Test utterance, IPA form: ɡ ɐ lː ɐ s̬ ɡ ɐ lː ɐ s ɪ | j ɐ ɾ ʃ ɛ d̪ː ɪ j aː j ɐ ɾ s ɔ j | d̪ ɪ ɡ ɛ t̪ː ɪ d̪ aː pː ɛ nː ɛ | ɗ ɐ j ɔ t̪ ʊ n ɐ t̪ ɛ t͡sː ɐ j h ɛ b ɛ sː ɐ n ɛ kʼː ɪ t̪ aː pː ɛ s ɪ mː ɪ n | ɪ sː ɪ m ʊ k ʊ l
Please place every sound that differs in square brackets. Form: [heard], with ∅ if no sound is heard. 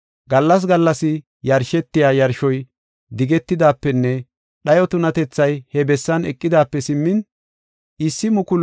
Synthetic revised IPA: ɡ ɐ lː ɐ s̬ ɡ ɐ lː ɐ s ɪ | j ɐ ɾ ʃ ɛ [t̪ː] ɪ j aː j ɐ ɾ [ʃ] ɔ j | d̪ ɪ ɡ ɛ t̪ː ɪ d̪ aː pː ɛ nː ɛ | ɗ ɐ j ɔ t̪ ʊ n ɐ t̪ ɛ t͡sː ɐ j h ɛ b ɛ sː ɐ n ɛ kʼː ɪ [d̪] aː pː ɛ s ɪ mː ɪ n | ɪ sː ɪ m ʊ k ʊ l